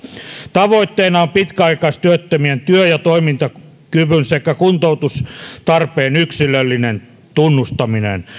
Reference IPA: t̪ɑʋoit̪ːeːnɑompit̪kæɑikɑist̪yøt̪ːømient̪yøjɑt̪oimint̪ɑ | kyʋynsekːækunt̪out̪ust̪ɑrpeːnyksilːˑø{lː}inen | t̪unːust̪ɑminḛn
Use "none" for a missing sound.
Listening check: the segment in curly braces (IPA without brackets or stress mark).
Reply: lː